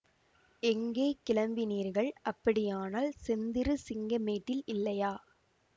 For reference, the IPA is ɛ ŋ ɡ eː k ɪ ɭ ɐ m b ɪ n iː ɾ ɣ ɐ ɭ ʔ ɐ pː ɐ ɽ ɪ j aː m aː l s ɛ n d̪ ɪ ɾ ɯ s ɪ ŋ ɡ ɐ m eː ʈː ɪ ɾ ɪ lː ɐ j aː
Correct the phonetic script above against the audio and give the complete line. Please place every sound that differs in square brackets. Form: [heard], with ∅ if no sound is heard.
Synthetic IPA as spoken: ɛ ŋ ɡ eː k ɪ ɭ ɐ m b ɪ n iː ɾ ɣ ɐ ɭ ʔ ɐ pː ɐ ɽ ɪ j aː [n] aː l s ɛ n d̪ ɪ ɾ ɯ s ɪ ŋ ɡ ɐ m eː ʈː ɪ [l] ɪ lː ɐ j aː